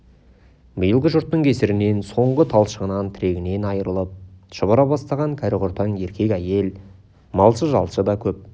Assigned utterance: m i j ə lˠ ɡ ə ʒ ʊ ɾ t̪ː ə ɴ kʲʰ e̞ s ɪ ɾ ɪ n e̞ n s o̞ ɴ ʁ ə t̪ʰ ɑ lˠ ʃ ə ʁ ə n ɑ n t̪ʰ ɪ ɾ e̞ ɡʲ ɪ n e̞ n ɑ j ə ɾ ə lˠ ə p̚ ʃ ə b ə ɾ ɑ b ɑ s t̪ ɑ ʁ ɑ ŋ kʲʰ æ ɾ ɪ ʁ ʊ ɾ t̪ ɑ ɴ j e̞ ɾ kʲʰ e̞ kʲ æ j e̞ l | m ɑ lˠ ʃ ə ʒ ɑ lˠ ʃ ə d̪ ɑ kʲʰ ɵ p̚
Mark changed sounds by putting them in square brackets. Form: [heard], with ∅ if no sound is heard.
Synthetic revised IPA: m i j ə lˠ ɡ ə ʒ ʊ ɾ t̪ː ə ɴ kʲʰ e̞ s ɪ ɾ ɪ n e̞ n s o̞ ɴ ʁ ə t̪ʰ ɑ lˠ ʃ ə ʁ ə n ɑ n t̪ʰ ɪ ɾ e̞ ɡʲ ɪ n e̞ n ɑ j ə ɾ ə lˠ ə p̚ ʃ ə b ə ɾ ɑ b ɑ s t̪ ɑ ʁ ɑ ŋ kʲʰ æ ɾ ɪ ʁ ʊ ɾ t̪ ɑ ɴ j e̞ ɾ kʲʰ e̞ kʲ æ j e̞ l | m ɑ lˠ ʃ ə ʒ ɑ lˠ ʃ ə d̪ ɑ kʲʰ ɵ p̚